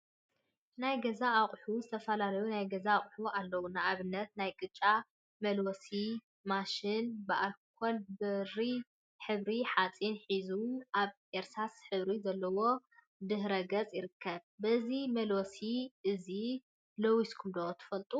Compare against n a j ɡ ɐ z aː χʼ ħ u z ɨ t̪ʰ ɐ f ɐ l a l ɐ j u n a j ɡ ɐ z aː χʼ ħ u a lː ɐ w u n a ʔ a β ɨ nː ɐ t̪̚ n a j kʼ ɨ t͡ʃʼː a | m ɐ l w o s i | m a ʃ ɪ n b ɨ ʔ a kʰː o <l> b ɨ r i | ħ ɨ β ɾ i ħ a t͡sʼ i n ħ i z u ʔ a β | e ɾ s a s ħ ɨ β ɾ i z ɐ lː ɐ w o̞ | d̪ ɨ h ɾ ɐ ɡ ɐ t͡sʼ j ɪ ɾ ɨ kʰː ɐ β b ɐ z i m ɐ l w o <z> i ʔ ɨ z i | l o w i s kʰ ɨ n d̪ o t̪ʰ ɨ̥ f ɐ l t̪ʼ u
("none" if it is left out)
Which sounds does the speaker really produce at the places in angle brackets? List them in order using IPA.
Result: l, s

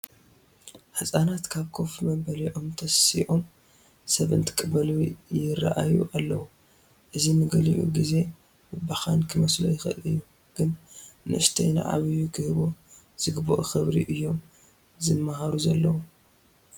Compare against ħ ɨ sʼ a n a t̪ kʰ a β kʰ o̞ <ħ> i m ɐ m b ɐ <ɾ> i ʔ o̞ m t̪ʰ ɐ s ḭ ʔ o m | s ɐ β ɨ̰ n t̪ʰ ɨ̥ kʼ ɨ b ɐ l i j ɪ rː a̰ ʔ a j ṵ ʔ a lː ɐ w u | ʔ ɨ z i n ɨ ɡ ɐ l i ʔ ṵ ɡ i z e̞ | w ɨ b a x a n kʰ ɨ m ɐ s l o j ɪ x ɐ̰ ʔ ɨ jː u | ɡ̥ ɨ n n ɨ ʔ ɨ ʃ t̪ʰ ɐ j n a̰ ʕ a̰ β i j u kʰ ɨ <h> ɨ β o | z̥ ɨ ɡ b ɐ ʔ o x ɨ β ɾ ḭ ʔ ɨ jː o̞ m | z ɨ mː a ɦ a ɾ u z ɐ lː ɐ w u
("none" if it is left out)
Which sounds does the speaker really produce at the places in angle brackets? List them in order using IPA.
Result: f, l, h

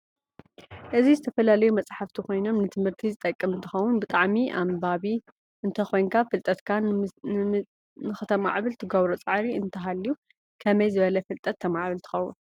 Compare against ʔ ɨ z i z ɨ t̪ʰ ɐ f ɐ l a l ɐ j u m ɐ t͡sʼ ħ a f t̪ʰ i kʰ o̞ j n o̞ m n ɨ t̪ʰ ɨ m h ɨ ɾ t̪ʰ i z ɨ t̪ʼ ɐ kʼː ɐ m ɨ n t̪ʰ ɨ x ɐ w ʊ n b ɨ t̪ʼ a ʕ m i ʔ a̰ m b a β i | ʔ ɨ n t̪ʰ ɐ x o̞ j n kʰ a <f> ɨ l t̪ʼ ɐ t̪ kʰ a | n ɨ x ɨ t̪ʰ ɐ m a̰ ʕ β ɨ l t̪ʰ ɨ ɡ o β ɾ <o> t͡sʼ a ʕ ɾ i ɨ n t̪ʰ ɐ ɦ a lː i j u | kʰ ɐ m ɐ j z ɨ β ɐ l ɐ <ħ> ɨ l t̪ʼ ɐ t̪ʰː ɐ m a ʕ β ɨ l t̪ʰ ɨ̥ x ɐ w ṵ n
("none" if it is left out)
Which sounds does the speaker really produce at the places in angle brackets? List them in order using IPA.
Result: f, o, f

